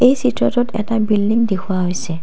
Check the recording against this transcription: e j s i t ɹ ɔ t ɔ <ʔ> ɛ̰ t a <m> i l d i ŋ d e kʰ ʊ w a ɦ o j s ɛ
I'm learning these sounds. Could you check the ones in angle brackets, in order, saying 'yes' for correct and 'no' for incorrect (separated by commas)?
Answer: no, no